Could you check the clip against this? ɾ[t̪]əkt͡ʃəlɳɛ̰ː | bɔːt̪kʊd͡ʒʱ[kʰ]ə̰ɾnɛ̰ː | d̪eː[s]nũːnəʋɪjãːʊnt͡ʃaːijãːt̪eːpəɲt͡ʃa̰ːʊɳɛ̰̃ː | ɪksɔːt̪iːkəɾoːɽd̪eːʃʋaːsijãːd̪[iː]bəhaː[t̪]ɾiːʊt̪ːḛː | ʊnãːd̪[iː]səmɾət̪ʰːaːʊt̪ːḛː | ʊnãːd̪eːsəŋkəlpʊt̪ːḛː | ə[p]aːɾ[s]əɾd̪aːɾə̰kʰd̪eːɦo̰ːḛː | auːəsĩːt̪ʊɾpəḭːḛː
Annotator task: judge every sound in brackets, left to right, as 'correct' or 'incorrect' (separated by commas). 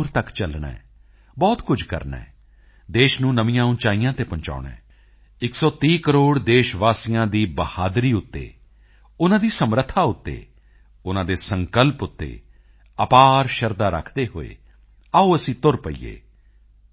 correct, incorrect, incorrect, correct, incorrect, correct, correct, incorrect